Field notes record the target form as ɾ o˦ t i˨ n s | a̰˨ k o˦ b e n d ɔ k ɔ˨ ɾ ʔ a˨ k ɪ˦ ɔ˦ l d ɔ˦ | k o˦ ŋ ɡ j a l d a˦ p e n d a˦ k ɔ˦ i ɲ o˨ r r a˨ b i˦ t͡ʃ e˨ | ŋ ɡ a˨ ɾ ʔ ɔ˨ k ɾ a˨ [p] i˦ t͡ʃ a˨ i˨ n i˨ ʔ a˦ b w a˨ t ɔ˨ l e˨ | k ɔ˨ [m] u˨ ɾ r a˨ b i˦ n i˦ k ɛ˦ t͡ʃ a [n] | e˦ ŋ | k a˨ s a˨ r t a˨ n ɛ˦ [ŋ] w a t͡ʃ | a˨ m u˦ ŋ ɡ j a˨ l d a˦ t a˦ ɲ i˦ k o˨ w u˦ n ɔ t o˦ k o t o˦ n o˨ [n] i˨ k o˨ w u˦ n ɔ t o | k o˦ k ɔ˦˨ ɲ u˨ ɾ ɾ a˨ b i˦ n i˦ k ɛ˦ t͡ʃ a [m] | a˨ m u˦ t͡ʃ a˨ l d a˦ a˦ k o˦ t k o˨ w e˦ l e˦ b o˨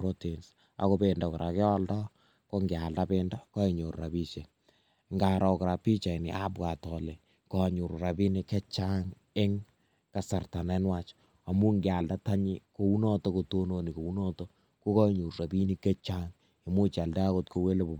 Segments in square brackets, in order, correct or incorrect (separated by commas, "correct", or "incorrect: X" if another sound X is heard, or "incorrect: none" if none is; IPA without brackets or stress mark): correct, incorrect: ɲ, incorrect: ŋ, incorrect: n, correct, incorrect: ŋ